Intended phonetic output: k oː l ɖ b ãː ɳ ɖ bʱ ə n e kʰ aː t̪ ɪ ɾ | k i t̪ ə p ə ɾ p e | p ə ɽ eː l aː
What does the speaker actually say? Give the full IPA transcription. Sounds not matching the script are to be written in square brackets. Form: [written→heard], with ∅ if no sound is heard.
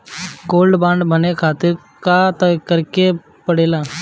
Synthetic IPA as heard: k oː l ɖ b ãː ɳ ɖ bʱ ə n e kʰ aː t̪ ɪ ɾ | k [i→a] t̪ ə [p→k] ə ɾ [p→k] e | p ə ɽ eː l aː